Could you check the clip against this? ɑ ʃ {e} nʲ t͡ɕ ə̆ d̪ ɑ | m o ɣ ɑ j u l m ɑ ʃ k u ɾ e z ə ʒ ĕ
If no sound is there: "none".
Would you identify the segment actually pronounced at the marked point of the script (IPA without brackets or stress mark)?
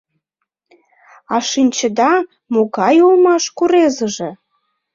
i